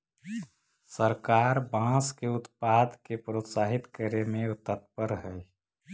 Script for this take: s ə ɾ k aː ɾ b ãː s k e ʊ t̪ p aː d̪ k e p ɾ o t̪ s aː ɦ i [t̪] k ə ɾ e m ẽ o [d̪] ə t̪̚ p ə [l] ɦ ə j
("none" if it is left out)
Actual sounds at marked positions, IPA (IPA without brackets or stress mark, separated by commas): t̪, t̪, ɾ